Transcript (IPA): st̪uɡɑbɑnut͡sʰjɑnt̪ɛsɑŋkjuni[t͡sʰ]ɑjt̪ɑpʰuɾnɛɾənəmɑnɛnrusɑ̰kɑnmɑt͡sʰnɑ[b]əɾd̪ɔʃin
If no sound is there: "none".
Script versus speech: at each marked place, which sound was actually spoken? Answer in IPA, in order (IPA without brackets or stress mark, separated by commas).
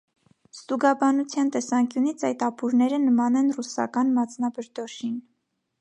t͡sʰ, b